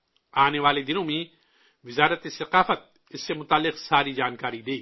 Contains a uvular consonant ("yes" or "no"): yes